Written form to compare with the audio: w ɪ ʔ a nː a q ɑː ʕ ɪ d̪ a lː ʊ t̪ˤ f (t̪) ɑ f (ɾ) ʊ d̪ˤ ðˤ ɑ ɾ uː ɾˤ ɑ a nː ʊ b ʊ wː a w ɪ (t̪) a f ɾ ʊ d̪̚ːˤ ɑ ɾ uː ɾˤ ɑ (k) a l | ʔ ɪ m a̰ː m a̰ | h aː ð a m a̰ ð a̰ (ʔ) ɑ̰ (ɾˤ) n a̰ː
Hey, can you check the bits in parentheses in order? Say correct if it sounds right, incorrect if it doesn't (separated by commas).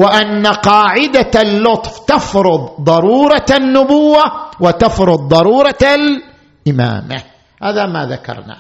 correct, correct, correct, incorrect, incorrect, correct